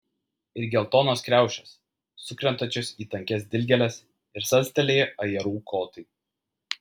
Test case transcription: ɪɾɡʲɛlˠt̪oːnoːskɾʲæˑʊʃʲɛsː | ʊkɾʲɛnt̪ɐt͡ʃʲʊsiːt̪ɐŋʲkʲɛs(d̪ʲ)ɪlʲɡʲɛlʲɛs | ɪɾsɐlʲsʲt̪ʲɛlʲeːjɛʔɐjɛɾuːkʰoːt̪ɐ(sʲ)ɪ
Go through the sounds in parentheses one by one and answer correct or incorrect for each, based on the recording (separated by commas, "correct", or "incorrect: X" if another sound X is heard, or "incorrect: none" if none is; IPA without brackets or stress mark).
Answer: correct, incorrect: none